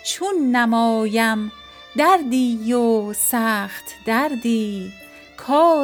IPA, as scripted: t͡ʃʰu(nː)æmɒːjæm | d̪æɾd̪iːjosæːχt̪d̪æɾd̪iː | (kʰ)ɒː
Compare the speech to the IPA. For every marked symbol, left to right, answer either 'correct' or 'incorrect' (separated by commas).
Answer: correct, correct